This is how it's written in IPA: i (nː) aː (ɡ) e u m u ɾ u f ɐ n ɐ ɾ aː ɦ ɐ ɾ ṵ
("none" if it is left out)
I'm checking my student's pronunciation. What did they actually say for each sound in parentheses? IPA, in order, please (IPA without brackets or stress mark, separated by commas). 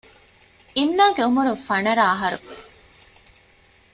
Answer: nː, ɡ